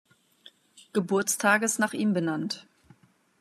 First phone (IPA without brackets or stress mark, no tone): ɡ̥